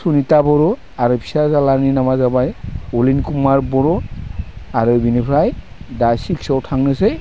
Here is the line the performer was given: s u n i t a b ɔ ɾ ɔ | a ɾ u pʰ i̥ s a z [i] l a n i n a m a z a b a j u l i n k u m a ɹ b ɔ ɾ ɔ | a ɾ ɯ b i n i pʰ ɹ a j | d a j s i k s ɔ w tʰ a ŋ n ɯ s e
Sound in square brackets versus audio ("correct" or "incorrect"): incorrect